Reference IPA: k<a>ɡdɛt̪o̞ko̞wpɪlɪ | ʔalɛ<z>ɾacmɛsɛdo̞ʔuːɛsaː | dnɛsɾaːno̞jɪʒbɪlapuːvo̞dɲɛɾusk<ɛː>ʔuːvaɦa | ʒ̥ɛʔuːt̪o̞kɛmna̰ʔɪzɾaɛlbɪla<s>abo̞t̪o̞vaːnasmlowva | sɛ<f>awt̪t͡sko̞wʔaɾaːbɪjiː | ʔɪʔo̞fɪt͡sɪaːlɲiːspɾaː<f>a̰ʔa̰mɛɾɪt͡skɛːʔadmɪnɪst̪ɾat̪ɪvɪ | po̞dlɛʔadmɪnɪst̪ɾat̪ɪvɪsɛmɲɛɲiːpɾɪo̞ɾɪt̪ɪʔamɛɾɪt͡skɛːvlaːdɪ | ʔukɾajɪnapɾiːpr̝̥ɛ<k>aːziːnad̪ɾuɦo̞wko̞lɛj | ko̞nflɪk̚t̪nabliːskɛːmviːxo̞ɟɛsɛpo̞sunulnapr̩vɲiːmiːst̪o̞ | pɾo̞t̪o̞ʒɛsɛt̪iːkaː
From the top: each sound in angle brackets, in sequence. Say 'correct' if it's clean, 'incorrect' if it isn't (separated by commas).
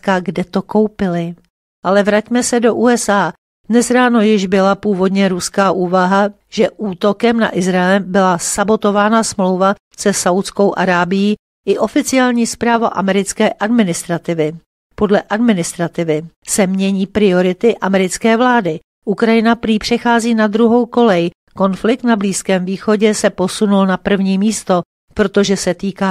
correct, incorrect, incorrect, correct, incorrect, incorrect, incorrect